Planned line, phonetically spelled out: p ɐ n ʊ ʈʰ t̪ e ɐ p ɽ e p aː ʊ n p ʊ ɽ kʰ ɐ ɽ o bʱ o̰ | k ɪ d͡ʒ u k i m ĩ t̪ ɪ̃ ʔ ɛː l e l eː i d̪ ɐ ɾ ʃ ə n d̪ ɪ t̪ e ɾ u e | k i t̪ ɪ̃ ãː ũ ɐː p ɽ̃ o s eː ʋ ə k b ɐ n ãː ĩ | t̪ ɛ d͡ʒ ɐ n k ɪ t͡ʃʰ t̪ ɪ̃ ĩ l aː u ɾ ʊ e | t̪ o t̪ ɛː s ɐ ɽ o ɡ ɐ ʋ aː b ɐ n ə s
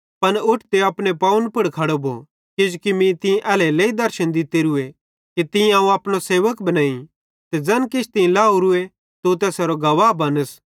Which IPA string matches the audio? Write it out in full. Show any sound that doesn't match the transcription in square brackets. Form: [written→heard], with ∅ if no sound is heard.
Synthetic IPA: p ɐ n ʊ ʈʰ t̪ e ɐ p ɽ e p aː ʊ n p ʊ ɽ kʰ ɐ ɽ o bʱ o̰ | k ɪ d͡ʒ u k i m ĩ t̪ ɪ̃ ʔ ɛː l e l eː i d̪ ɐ ɾ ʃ ə n d̪ ɪ t̪ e ɾ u e | k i t̪ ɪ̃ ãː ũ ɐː p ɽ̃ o s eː ʋ ə k b ɐ n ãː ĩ | t̪ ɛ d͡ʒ ɐ n k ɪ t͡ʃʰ t̪ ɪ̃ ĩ l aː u ɾ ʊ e | t̪ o t̪ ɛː s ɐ [ɽ→ɾ] o ɡ ɐ ʋ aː b ɐ n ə s